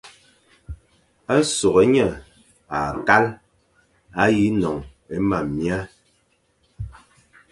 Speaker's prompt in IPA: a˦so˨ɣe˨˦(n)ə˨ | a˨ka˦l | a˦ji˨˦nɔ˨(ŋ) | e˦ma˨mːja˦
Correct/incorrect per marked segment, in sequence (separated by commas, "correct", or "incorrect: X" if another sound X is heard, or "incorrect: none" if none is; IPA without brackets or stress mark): incorrect: ɲ, correct